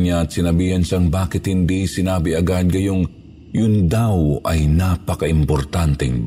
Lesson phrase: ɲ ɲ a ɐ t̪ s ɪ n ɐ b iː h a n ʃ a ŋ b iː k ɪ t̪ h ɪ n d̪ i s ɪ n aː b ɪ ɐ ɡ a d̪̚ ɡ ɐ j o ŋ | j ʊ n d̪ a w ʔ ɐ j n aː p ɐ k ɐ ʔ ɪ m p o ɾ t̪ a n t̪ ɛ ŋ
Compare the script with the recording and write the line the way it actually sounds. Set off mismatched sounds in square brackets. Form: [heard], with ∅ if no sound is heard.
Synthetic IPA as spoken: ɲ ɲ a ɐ t̪ s ɪ n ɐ b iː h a n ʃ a ŋ b [aː] k ɪ t̪ h ɪ n d̪ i s ɪ n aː b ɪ ɐ ɡ a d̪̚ ɡ ɐ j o ŋ | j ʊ n d̪ a w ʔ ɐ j n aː p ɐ k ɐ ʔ ɪ m p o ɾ t̪ a n t̪ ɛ ŋ